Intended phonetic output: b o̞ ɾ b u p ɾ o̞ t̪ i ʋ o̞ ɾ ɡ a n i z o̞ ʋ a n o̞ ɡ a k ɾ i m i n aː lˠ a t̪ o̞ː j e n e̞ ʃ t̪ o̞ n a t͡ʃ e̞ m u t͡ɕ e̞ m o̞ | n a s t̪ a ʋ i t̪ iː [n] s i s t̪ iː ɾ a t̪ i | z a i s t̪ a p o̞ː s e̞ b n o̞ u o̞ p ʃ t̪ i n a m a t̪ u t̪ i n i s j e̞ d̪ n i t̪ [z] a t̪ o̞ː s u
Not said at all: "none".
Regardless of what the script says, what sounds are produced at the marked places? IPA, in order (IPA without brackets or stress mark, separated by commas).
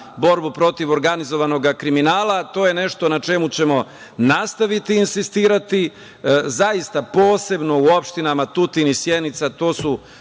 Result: n, s